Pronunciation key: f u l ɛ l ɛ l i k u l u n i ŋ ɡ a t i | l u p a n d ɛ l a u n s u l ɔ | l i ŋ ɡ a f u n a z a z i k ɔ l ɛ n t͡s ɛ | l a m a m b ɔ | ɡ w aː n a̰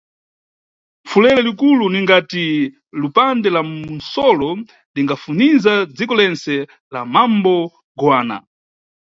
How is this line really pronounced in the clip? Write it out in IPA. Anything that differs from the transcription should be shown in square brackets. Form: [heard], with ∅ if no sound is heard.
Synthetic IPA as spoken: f u l ɛ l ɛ l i k u l u n i ŋ ɡ a t i | l u p a n d ɛ l a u n s [ɔ] l ɔ | l i ŋ ɡ a f u n [i] z a [d͡z] i k ɔ l ɛ n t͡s ɛ | l a m a m b ɔ | ɡ w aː n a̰